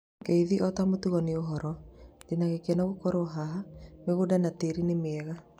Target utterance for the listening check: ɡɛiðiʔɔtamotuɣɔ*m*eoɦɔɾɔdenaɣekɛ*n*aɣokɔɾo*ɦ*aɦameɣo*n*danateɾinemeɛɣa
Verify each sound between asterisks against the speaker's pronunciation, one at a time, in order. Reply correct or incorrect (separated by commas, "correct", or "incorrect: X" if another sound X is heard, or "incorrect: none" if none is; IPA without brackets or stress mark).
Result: incorrect: n, correct, correct, incorrect: none